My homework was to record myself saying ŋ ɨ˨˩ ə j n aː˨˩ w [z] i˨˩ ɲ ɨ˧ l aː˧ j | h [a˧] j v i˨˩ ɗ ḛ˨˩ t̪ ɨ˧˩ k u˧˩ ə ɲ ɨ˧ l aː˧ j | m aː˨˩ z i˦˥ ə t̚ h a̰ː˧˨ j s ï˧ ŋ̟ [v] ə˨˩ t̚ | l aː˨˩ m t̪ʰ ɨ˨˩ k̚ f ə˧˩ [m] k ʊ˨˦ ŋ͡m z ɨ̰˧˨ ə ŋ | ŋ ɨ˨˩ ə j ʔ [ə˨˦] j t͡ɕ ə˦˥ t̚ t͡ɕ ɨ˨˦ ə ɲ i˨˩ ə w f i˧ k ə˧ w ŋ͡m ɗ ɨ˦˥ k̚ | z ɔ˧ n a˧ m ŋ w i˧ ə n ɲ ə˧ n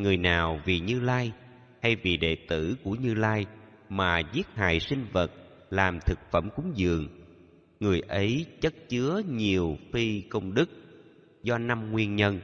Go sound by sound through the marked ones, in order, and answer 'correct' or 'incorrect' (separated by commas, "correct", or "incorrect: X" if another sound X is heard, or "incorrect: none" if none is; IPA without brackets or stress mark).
incorrect: v, correct, correct, correct, correct